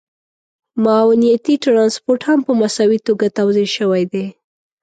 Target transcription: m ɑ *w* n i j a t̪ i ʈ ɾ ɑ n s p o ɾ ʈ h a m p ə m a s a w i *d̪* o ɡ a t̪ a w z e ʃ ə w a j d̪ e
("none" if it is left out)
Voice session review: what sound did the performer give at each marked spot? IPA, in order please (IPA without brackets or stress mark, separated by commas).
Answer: w, t̪